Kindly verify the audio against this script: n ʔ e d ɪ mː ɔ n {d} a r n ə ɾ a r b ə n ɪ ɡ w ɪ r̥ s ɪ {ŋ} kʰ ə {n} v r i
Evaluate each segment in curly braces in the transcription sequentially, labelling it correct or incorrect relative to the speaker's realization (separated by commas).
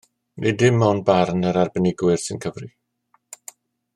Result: incorrect, incorrect, incorrect